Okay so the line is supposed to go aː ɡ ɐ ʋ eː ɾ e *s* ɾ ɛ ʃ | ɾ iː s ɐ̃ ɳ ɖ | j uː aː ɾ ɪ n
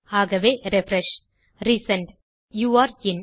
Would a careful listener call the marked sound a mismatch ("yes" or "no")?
yes